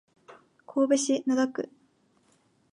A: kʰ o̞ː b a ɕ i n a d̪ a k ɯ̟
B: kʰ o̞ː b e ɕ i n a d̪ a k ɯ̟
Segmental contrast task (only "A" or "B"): B